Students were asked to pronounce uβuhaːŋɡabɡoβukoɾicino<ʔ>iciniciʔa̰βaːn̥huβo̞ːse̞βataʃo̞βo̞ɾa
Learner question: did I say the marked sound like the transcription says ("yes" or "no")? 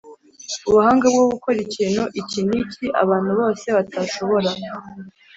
yes